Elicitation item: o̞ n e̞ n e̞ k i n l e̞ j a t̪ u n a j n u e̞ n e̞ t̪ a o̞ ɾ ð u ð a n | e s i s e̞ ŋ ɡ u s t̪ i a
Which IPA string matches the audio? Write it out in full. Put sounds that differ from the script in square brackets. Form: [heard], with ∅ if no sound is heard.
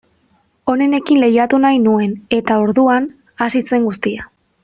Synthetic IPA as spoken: o̞ n e̞ n e̞ k i n l e̞ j a t̪ u n a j n u e̞ n e̞ t̪ a o̞ ɾ ð u [∅] a n | [a] s i s e̞ ŋ ɡ u s t̪ i a